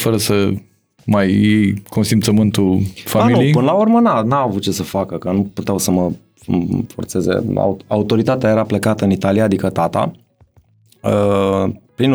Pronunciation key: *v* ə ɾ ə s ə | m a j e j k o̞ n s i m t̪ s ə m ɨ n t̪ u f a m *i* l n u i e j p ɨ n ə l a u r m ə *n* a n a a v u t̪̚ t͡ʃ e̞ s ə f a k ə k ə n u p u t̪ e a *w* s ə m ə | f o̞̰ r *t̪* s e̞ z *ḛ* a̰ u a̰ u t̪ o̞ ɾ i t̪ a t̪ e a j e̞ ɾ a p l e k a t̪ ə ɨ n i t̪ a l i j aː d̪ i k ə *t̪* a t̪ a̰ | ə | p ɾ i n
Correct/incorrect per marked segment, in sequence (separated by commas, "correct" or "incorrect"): incorrect, correct, correct, correct, correct, correct, correct